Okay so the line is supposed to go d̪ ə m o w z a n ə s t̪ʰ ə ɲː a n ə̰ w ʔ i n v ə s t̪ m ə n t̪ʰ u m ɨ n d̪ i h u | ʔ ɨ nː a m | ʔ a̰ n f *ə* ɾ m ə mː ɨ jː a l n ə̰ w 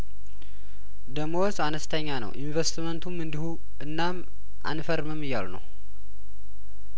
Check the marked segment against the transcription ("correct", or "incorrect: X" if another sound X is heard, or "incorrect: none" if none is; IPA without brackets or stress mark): correct